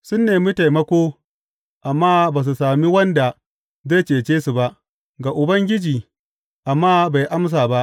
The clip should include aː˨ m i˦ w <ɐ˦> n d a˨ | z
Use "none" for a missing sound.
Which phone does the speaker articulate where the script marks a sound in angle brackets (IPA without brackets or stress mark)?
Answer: ɐ˦